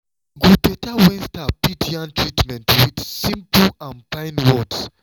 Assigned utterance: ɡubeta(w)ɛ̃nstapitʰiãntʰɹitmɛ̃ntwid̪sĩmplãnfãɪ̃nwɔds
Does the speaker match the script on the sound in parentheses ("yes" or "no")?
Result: yes